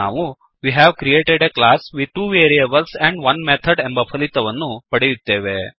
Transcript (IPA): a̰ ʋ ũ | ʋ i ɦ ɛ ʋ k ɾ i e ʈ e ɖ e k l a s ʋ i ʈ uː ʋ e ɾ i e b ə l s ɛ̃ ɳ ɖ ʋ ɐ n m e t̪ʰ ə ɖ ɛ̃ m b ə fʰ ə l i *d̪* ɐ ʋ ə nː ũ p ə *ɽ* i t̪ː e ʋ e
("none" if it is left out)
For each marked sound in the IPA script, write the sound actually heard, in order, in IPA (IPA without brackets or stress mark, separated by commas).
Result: t̪, ɽ